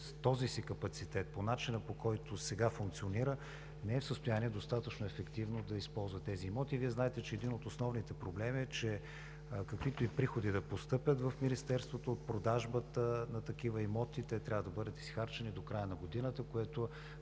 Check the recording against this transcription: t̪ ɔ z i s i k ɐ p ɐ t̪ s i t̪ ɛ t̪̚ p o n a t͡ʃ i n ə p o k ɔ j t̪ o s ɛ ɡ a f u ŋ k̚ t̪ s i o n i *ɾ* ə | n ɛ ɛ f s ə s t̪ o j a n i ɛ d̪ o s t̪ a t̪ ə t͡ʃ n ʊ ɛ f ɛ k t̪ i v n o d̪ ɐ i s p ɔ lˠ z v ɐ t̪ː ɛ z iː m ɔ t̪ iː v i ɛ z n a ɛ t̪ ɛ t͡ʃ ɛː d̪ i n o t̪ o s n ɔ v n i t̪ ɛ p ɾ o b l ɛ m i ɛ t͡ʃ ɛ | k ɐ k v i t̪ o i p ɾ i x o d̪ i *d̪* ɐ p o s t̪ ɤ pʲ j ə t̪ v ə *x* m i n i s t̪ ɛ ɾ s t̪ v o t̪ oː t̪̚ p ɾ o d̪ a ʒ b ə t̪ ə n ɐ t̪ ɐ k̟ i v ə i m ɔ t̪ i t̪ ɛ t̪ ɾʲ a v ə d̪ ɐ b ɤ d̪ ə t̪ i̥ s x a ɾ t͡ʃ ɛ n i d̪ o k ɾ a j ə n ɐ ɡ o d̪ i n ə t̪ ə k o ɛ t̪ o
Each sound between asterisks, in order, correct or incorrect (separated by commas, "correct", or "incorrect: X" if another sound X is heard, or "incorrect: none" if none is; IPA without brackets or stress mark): correct, correct, incorrect: f